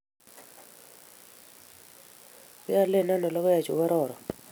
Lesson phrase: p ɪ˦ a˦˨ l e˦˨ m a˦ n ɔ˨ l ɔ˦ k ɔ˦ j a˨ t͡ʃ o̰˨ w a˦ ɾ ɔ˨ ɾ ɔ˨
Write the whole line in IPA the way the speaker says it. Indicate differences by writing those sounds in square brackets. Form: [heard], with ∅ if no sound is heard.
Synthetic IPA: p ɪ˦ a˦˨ l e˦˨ [n] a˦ n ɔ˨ l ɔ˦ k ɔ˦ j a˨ t͡ʃ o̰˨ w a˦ ɾ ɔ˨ ɾ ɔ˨